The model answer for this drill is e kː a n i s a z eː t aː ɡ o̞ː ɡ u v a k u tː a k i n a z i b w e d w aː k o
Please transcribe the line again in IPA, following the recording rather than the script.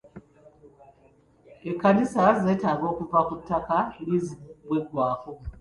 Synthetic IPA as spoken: e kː a n i s a z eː t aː ɡ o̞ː k u v a k u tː a k a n i z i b w e ɡ w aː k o